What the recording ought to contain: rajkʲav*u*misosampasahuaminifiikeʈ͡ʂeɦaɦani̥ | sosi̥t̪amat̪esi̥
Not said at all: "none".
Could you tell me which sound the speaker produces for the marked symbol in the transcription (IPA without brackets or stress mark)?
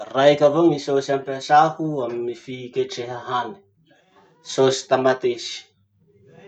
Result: o